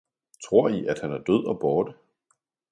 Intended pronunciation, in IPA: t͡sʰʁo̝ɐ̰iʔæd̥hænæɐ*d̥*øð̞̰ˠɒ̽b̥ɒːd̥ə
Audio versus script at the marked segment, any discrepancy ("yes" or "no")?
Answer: no